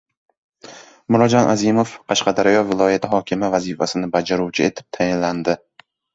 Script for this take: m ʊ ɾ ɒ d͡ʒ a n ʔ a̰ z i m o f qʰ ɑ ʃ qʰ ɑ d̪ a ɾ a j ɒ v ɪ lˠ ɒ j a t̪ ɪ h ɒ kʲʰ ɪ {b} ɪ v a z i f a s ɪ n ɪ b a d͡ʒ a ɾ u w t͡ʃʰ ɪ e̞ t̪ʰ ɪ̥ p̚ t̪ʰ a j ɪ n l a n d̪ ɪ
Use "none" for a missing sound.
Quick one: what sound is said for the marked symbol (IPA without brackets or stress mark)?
m